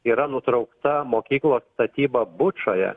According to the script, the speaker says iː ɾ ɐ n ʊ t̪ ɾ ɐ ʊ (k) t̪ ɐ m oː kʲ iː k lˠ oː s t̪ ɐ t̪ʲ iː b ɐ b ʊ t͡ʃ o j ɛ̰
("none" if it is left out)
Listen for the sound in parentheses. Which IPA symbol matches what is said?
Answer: k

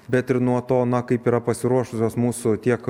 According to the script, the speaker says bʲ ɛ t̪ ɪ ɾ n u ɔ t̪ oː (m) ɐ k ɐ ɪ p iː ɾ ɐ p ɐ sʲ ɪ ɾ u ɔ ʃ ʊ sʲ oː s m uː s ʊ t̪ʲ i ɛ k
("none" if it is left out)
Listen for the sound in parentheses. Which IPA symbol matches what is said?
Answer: n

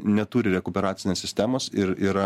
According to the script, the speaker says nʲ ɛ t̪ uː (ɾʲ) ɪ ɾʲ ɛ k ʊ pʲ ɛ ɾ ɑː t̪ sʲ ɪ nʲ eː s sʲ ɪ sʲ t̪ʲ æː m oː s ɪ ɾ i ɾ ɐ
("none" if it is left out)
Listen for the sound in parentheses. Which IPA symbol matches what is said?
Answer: ɾʲ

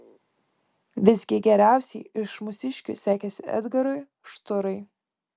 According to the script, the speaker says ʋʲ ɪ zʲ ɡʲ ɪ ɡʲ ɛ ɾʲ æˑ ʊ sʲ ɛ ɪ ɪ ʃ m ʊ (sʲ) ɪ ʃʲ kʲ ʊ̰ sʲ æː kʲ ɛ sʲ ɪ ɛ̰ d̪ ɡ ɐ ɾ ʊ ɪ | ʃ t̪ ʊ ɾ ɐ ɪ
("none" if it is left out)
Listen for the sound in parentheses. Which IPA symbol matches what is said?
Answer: sʲ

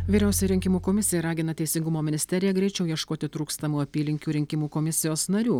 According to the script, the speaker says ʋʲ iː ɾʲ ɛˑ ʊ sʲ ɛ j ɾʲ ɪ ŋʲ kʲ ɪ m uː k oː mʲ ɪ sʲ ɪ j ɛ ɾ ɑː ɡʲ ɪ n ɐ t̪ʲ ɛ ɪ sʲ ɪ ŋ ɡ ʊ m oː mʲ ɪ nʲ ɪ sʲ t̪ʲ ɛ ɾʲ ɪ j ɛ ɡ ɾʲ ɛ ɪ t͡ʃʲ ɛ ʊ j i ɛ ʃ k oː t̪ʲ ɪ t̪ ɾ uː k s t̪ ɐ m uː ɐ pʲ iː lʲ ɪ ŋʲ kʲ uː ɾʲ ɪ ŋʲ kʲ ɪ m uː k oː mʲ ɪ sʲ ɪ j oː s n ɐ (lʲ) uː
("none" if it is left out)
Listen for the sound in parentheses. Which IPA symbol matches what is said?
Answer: ɾʲ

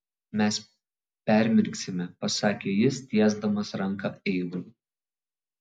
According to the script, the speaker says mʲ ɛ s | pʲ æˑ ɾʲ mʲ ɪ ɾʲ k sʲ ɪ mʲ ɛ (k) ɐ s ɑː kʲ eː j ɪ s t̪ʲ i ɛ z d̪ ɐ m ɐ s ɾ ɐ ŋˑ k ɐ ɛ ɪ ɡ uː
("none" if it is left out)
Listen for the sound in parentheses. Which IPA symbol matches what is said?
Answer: p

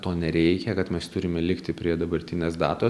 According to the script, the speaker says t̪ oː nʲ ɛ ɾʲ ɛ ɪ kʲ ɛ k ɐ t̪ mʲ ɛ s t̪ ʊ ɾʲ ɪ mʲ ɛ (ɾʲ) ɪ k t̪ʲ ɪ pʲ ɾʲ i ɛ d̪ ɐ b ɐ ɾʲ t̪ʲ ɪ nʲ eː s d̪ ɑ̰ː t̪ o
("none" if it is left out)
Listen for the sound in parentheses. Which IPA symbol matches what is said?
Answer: lʲ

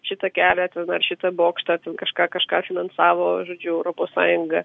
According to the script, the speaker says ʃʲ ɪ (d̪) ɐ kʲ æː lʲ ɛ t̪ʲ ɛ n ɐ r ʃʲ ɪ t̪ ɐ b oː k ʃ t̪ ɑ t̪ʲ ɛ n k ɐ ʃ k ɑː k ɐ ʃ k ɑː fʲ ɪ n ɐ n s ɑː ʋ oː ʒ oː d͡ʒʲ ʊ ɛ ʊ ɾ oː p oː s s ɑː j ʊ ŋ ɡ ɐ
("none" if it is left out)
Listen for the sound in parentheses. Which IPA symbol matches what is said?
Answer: t̪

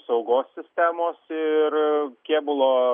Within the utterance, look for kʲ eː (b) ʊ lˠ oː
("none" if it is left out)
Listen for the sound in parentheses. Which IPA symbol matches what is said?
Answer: b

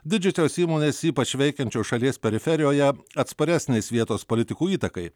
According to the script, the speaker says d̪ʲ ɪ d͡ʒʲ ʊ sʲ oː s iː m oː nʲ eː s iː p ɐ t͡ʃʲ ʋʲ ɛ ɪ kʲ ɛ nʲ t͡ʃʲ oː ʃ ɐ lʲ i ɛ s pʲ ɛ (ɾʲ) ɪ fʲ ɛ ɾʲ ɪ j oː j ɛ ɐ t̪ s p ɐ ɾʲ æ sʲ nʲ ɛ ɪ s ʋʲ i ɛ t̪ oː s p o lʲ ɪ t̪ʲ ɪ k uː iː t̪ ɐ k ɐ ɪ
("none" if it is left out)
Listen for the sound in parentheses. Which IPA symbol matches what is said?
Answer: ɾʲ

